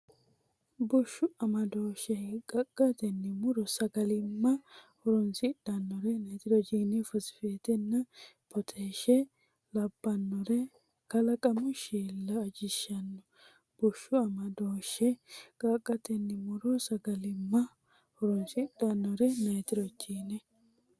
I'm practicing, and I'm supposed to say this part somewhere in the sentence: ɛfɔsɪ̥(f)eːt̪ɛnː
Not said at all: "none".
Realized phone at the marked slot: f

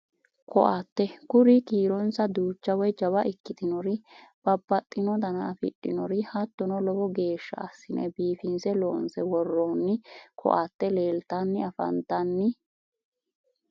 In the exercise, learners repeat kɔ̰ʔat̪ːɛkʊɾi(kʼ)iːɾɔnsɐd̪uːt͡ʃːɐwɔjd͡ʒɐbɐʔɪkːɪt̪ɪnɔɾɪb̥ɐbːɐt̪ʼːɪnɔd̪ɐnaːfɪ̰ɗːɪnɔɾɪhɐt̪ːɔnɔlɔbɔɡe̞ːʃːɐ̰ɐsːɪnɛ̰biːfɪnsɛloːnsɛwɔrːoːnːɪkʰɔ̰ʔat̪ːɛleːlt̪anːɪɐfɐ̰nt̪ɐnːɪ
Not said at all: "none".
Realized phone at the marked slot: k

